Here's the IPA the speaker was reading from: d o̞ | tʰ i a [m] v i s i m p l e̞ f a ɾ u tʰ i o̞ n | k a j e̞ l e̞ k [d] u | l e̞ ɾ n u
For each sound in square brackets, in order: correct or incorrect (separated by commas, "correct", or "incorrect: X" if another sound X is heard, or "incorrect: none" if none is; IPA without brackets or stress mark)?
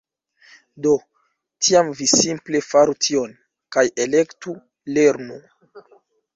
correct, incorrect: t